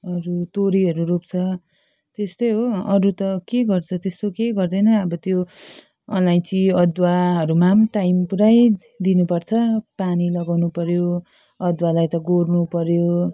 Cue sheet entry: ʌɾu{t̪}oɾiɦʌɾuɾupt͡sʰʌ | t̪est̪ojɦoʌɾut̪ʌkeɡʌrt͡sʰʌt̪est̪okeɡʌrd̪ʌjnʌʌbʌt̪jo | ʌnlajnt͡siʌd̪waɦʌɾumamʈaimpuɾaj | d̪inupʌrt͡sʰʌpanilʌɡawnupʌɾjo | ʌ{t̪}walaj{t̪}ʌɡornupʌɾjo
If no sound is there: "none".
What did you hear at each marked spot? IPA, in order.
t̪, d̪, t̪

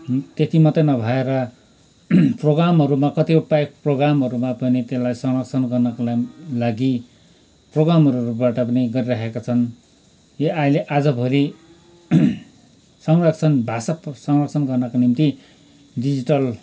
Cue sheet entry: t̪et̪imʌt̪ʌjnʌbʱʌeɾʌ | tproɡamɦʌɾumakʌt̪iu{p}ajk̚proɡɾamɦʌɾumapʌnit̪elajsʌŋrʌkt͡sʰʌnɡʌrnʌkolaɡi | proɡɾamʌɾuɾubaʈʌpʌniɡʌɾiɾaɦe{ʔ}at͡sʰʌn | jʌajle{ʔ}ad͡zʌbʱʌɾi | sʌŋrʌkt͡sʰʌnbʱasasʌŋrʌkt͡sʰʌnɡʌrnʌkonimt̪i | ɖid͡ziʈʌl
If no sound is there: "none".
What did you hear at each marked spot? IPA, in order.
p, k, ʔ

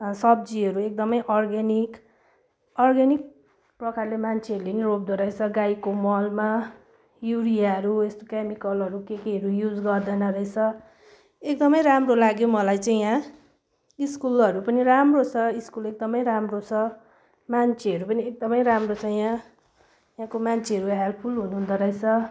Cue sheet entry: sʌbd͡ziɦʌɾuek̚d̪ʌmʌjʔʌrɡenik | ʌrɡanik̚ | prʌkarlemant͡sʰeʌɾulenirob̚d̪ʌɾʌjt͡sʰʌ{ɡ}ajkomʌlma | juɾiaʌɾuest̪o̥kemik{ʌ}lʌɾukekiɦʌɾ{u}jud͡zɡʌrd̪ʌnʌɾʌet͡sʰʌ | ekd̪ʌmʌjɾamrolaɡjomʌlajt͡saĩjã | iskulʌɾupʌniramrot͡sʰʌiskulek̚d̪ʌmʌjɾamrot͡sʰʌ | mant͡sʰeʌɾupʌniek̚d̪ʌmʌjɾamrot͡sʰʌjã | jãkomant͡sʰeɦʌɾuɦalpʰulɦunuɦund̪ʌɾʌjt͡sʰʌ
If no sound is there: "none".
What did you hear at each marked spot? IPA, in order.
ɡ, ʌ, u

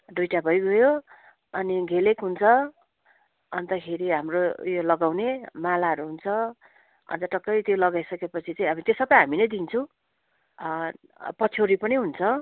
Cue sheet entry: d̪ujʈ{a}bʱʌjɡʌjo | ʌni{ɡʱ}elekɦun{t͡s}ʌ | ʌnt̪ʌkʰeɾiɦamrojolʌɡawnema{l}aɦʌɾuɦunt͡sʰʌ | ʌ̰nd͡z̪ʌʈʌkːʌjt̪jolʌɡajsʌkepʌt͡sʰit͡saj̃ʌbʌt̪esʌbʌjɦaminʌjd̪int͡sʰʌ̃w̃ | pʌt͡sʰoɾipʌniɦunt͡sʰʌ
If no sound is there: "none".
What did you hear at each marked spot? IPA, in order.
a, ɡʱ, t͡sʰ, l

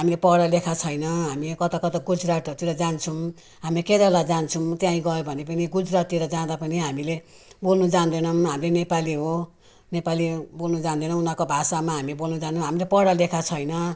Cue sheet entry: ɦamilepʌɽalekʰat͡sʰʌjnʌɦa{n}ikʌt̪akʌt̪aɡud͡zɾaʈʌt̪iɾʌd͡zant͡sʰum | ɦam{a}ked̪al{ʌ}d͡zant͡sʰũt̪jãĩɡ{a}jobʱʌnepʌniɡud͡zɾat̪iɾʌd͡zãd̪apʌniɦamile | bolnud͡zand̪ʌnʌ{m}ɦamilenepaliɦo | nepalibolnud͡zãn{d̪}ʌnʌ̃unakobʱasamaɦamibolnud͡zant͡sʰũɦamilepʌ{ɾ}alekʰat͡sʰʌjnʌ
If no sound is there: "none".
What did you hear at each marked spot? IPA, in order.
m, i, a, ʌ, m, d̪, ɽ

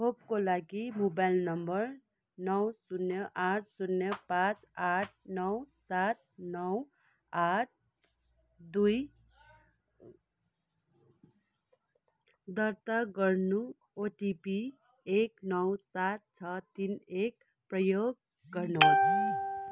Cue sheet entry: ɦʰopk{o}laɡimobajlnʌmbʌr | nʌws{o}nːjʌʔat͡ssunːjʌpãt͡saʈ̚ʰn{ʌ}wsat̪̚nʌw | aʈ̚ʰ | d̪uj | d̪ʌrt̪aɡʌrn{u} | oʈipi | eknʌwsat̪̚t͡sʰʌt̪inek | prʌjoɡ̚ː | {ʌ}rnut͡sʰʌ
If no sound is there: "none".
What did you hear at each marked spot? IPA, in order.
o, u, ʌ, u, ʌ

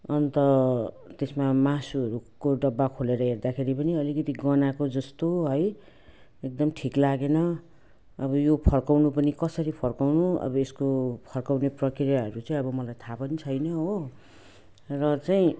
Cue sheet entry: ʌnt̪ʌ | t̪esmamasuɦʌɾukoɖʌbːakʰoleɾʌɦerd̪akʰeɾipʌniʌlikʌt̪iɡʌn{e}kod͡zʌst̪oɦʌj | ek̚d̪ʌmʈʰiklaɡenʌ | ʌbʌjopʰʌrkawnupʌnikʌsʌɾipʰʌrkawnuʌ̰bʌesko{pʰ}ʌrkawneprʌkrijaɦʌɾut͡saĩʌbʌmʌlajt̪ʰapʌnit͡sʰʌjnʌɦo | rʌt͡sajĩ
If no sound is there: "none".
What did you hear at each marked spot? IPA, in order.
a, pʰ

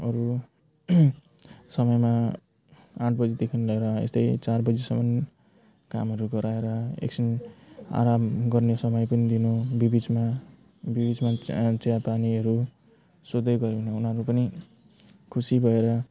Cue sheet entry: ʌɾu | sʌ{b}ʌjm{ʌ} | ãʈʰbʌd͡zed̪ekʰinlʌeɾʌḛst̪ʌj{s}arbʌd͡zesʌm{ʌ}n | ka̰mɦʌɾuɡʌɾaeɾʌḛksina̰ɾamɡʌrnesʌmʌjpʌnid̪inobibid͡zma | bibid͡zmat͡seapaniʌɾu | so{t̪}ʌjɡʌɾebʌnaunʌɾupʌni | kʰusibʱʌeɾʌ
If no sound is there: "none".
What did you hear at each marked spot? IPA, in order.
m, a, t͡s, ʌ, d̪

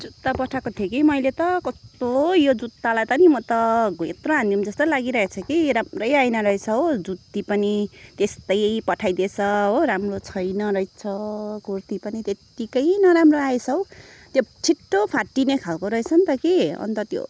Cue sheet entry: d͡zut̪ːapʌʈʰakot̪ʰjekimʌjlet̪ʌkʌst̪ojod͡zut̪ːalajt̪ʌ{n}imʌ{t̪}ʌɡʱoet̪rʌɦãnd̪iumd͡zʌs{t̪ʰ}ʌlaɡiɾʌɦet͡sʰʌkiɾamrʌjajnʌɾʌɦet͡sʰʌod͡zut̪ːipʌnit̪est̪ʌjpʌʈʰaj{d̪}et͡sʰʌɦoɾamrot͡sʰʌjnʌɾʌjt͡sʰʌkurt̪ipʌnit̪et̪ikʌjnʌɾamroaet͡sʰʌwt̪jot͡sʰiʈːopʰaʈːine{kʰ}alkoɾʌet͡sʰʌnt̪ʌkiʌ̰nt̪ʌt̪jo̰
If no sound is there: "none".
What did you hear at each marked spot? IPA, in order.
n, t̪, t̪, d̪, kʰ

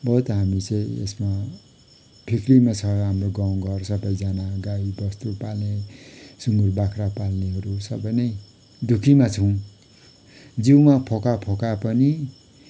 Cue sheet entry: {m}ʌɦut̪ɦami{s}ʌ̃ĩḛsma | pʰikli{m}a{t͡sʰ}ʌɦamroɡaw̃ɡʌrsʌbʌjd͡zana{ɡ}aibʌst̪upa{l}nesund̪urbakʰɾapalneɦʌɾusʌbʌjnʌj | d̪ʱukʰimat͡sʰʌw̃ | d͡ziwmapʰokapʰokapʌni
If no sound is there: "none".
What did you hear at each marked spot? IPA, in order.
b, t͡s, m, t͡sʰ, ɡ, l

